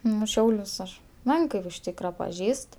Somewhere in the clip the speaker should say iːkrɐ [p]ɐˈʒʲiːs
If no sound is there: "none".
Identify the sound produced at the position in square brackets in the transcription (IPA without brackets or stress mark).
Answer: p